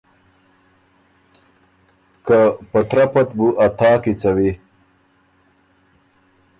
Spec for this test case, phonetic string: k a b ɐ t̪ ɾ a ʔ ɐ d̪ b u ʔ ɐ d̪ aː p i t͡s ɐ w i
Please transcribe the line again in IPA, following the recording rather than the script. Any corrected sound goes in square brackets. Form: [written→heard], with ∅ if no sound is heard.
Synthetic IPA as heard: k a [b→p] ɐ t̪ ɾ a [ʔ→p] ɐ [d̪→t̪] b u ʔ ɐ [d̪→t̪] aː [p→k] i t͡s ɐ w i